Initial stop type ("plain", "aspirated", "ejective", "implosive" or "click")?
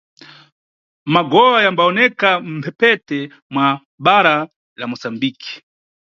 plain